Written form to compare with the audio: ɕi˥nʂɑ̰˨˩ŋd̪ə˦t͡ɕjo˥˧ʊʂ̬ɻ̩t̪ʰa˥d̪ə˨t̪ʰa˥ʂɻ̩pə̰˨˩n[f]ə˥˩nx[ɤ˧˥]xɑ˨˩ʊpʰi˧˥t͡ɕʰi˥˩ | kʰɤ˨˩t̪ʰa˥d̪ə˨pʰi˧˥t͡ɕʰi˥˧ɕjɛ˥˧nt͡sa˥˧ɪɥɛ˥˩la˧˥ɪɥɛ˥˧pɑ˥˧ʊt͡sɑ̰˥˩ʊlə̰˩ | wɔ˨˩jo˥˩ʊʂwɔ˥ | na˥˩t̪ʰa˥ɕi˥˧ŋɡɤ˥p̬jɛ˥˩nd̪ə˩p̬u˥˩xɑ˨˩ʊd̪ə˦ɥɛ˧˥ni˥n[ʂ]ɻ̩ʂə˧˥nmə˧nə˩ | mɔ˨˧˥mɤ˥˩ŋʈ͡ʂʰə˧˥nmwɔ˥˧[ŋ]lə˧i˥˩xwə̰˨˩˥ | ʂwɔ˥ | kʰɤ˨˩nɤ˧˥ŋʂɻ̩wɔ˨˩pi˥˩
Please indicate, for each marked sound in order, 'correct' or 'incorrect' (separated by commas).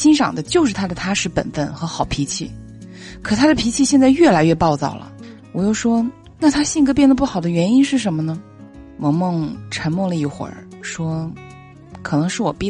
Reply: correct, correct, correct, correct